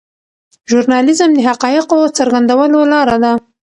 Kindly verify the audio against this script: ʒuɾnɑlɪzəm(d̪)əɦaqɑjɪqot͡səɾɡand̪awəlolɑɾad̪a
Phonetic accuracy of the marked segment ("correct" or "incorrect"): correct